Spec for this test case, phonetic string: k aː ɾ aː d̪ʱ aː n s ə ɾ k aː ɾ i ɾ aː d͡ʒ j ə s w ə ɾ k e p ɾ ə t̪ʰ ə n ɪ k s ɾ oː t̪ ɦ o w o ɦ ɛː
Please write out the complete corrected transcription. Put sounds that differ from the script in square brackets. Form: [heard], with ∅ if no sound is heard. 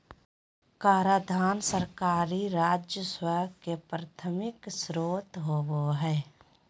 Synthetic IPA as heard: k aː ɾ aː d̪ʱ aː n s ə ɾ k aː ɾ i ɾ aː d͡ʒ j ə s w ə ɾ k e p ɾ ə t̪ʰ ə [m] ɪ k s ɾ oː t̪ ɦ o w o ɦ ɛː